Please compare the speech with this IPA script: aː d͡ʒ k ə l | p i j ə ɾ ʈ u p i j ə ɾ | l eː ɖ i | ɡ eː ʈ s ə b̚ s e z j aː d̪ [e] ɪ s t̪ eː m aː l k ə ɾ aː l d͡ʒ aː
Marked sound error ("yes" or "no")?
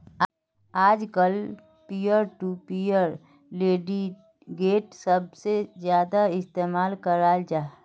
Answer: yes